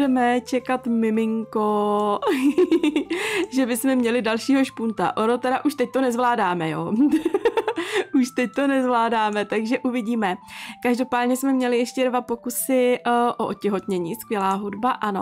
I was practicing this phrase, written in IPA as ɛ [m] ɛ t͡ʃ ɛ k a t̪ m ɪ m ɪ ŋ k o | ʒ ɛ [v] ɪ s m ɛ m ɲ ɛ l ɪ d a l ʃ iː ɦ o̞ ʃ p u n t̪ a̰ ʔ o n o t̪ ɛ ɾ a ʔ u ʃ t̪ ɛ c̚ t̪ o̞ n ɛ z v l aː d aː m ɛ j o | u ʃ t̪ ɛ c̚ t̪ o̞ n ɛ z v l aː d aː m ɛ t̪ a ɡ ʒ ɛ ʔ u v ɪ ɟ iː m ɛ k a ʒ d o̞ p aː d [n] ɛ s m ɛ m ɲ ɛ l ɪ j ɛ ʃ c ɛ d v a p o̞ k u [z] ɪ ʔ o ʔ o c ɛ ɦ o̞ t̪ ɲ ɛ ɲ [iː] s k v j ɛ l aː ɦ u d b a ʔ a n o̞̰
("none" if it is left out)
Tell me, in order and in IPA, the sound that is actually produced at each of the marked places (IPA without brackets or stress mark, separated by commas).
m, b, ɲ, s, iː